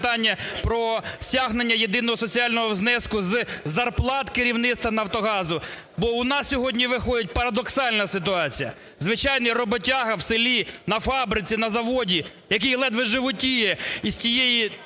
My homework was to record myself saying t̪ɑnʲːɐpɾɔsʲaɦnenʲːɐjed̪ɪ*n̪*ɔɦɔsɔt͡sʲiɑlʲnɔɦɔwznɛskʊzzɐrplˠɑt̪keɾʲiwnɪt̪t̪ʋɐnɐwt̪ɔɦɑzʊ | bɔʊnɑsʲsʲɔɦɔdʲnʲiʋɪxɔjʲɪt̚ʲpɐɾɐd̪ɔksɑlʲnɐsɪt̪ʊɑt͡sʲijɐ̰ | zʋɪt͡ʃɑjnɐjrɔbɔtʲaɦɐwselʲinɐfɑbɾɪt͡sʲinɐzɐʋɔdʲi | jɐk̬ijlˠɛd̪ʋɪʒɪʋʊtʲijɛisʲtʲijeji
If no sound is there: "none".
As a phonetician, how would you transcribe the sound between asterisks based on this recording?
n̪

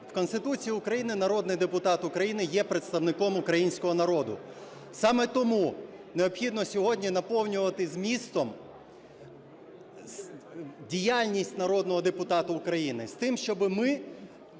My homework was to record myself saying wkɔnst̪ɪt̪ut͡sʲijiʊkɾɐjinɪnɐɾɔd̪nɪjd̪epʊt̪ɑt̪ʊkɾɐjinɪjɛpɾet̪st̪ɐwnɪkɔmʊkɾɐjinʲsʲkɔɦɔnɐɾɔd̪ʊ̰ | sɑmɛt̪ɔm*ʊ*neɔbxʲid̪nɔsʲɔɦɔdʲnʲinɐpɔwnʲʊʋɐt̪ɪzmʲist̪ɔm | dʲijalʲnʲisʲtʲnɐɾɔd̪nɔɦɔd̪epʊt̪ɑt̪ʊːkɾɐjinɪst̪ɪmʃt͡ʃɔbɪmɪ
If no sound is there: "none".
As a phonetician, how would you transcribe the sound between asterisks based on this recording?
u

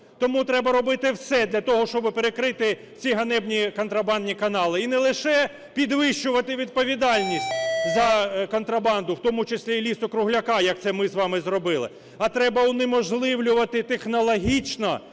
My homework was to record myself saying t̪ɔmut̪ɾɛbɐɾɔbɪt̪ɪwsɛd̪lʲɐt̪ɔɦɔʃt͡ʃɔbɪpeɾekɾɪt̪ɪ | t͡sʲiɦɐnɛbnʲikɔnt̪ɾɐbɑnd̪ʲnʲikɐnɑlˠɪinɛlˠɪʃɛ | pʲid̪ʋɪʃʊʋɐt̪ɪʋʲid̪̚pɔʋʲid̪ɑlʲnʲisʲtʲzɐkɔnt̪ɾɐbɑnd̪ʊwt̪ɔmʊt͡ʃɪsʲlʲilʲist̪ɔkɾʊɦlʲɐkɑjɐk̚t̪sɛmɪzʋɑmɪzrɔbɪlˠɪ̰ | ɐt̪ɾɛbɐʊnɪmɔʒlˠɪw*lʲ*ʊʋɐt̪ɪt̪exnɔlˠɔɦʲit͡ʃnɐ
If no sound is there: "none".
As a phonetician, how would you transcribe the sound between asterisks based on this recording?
lʲ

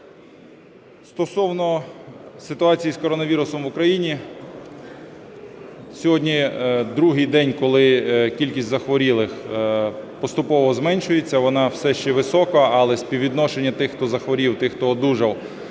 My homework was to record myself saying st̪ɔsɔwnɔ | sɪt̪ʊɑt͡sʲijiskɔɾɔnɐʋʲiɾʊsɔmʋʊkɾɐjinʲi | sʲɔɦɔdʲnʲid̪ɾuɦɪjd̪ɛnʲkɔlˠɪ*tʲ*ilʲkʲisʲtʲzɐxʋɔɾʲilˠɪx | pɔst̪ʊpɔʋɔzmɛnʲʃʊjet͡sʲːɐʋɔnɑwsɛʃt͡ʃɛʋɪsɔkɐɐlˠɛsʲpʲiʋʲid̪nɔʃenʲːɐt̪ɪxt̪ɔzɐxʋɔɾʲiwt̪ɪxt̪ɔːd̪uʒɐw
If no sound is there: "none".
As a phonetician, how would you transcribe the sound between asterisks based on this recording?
kʲ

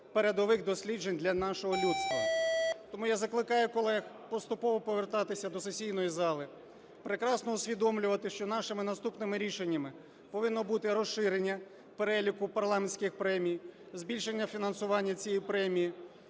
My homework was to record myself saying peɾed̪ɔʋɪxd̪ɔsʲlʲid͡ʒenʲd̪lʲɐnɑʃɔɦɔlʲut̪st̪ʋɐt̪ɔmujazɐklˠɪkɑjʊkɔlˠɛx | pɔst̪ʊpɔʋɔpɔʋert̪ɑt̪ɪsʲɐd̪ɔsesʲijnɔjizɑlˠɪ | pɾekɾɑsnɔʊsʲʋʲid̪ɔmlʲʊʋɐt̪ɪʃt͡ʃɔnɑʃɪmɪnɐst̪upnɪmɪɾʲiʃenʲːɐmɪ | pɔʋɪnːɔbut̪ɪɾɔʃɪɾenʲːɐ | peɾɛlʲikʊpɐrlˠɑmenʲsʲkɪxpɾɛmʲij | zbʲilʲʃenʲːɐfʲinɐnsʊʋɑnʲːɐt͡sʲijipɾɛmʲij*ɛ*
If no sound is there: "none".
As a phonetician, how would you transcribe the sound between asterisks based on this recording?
i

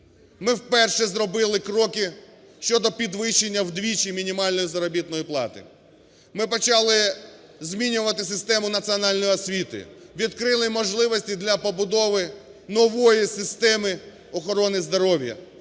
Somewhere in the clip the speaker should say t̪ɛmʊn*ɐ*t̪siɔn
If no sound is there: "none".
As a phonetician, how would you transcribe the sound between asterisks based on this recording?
ɐ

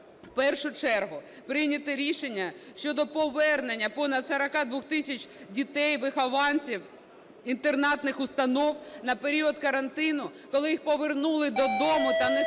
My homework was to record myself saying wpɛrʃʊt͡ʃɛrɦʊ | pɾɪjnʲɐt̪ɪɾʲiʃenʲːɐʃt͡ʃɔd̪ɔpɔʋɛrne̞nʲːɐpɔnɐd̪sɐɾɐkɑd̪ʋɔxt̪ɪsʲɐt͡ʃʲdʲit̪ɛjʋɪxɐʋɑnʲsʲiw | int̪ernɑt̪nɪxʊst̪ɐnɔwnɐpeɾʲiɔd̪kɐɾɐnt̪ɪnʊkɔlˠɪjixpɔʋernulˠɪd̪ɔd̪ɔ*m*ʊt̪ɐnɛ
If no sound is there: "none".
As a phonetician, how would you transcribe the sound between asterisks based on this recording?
m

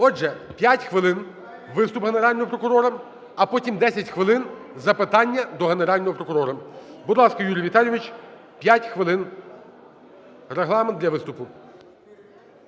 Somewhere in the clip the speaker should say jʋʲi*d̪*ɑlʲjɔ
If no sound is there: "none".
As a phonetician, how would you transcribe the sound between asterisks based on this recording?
t̪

